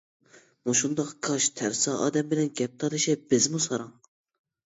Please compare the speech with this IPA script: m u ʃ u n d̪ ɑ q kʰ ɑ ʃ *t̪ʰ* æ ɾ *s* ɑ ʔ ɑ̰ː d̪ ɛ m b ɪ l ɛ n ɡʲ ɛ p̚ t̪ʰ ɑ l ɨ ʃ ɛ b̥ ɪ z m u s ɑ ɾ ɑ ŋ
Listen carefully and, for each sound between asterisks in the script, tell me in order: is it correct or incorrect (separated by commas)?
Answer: correct, correct